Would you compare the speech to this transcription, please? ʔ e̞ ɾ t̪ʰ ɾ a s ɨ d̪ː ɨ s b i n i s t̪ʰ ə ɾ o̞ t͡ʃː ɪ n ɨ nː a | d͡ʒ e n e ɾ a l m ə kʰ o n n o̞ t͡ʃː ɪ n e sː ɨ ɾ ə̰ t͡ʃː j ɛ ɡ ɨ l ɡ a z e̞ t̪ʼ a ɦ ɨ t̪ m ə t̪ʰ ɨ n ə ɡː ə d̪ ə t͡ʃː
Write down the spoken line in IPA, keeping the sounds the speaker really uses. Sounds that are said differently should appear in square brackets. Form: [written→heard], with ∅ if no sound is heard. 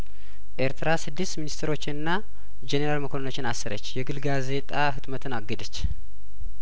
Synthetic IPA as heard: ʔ e̞ ɾ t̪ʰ ɾ a s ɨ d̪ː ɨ s [b→m] i n i s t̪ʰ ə ɾ o̞ t͡ʃː ɪ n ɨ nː a | d͡ʒ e n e ɾ a l m ə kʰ o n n o̞ t͡ʃː ɪ n [e→a] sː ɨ ɾ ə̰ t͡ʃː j ɛ ɡ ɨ l ɡ a z e̞ t̪ʼ a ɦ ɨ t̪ m ə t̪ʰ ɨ n [ə→a] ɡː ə d̪ ə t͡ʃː